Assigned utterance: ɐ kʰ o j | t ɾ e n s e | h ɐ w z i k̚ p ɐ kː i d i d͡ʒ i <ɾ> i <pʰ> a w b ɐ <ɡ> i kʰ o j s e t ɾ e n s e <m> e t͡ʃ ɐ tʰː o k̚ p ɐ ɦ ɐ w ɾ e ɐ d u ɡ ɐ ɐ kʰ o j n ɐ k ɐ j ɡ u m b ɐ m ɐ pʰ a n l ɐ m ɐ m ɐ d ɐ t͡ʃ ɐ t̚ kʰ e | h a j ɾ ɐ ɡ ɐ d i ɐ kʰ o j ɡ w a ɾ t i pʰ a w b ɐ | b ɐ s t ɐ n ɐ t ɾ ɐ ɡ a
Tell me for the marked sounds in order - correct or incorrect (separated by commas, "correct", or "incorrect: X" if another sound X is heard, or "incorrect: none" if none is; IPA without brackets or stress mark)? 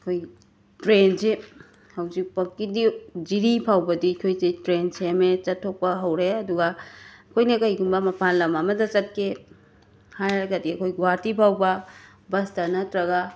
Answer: correct, correct, incorrect: d, correct